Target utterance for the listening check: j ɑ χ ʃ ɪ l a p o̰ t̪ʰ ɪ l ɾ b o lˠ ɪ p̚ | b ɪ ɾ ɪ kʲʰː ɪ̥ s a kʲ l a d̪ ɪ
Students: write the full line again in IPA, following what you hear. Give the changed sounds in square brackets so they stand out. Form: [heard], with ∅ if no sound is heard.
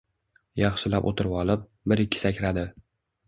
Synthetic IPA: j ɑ χ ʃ ɪ l a p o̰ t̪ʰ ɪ [∅] ɾ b [ɒ] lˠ ɪ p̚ | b ɪ ɾ ɪ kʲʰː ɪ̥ s a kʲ [ɾ] a d̪ ɪ